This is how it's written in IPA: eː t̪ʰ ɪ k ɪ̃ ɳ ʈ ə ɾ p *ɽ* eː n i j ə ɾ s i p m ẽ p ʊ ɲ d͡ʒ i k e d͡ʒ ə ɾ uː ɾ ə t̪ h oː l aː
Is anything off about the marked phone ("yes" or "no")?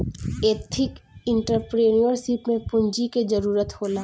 yes